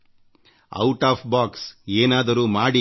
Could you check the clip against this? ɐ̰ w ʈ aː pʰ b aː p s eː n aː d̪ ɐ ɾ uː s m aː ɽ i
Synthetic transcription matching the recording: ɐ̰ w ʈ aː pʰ b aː k s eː n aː d̪ ɐ ɾ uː m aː ɽ i